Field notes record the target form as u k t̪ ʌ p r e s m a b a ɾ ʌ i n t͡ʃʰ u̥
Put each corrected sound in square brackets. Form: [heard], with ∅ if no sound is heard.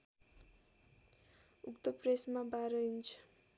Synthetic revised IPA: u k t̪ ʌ p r e s m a b a ɾ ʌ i n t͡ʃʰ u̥